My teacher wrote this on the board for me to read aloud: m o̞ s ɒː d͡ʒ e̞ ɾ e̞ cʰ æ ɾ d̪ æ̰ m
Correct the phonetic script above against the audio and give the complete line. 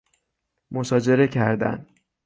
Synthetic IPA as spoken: m o̞ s ɒː d͡ʒ e̞ ɾ e̞ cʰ æ ɾ d̪ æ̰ n